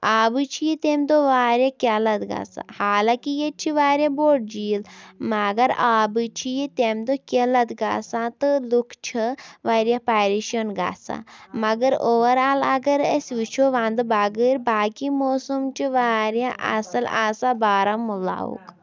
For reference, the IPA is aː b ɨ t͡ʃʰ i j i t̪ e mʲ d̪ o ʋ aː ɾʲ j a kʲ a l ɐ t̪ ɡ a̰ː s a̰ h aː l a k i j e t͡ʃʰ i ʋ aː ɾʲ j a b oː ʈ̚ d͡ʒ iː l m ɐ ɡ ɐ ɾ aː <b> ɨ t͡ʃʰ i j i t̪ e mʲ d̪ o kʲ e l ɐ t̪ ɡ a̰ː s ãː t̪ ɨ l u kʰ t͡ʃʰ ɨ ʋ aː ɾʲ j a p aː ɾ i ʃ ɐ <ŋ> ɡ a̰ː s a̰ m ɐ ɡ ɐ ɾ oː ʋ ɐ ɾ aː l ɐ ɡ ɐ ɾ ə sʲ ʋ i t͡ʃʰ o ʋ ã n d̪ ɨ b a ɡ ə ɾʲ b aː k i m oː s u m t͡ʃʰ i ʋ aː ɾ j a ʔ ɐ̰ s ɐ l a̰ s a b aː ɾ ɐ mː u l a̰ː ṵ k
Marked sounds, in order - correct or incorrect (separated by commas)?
correct, incorrect